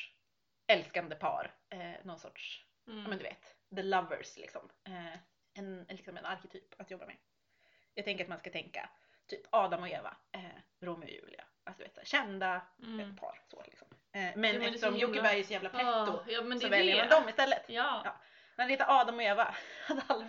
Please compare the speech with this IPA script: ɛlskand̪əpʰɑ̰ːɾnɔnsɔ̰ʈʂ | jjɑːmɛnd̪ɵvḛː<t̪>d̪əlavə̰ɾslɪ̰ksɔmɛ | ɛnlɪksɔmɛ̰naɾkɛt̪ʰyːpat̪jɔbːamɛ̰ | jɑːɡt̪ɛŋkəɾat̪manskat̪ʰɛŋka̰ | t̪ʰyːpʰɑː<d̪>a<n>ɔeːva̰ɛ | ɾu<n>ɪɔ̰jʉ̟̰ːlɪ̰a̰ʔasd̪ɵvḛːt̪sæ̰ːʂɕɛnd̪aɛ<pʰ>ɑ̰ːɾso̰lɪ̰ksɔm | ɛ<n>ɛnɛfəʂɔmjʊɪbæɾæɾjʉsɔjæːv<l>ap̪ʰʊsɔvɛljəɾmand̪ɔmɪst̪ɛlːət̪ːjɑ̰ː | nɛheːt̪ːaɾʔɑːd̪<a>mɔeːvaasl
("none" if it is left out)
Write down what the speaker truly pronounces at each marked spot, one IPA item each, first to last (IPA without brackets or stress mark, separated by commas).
t̪, d̪, m, m, pʰ, m, l, a